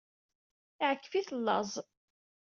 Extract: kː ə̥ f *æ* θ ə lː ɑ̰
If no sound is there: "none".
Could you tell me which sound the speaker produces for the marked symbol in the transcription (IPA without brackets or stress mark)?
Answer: i